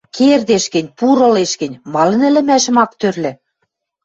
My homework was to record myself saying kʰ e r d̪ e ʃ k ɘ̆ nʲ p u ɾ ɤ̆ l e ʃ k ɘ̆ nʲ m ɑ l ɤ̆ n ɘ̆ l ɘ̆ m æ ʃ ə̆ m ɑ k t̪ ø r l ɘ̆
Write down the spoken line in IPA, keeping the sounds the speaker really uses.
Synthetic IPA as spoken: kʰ e r d̪ e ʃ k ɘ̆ nʲ p u ɾ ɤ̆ l e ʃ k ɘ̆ nʲ m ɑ l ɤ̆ n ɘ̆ l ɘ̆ m æ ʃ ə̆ m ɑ k t̪ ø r l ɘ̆

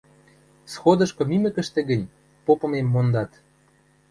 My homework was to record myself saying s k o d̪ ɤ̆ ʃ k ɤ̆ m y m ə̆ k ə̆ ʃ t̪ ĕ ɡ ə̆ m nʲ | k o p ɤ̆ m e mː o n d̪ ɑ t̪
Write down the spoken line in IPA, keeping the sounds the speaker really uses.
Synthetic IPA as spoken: s x o d̪ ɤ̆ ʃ k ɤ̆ m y m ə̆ k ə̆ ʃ t̪ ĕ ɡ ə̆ nʲ | p o p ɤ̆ m e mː o n d̪ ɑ t̪

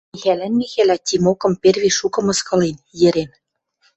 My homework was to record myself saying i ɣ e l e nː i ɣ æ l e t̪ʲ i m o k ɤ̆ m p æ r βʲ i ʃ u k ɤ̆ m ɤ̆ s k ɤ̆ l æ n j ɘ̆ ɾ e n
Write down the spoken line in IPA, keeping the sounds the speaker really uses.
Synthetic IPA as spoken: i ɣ æ l æ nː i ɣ æ l æ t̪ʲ i m o k ɤ̆ m p e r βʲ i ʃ u k ɤ̆ m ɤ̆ s k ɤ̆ l e n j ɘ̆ ɾ e n

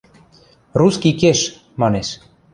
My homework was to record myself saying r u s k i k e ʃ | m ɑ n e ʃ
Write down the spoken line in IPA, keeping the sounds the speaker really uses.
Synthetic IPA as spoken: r u s k i k e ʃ | m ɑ n e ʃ

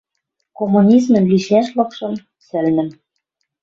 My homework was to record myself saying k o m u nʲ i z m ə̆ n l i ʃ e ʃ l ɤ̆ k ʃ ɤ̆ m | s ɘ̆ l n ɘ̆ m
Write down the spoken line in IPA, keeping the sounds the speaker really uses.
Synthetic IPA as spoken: k o m u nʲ i z m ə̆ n l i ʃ æ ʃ l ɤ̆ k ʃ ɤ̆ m | s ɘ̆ l n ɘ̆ m

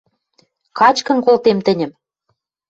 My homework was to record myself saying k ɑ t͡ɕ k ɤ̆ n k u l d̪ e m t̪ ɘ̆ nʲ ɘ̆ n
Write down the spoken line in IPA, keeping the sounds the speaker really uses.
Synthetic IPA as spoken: k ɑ t͡ɕ k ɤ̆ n k o l t̪ e m t̪ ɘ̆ nʲ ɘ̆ m

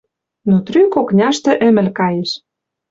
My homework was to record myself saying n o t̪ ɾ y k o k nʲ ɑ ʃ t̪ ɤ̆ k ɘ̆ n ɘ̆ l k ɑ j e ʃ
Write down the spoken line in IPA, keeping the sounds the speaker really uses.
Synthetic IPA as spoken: n o t̪ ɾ y k o k nʲ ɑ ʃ t̪ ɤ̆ ʔ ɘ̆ m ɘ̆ l k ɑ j e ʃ

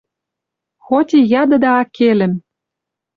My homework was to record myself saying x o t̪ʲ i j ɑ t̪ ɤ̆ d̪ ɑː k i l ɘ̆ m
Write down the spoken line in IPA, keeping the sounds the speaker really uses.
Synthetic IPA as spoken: x o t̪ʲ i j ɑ d̪ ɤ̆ d̪ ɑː k e l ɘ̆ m

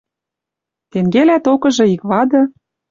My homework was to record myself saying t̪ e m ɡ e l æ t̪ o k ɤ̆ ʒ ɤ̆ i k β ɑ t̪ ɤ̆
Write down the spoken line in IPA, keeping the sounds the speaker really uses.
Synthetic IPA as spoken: t̪ e ŋ ɡ e l æ t̪ o k ɤ̆ ʒ ɤ̆ i k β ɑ d̪ ɤ̆

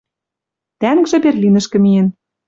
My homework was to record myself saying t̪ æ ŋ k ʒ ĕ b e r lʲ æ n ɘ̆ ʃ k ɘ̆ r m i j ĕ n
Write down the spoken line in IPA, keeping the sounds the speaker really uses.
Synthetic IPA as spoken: t̪ æ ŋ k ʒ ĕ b e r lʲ i n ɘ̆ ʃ k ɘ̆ m i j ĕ n

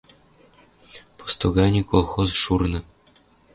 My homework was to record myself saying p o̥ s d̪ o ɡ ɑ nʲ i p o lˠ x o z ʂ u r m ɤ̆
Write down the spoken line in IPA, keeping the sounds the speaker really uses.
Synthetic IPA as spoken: p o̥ s t̪ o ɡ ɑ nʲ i k o lˠ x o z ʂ u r n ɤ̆

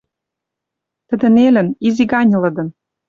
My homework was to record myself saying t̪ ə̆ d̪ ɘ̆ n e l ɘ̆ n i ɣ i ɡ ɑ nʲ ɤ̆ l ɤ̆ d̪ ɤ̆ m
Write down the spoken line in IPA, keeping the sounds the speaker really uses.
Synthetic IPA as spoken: t̪ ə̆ d̪ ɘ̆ n e l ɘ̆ n i z i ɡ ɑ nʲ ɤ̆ l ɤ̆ d̪ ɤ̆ n

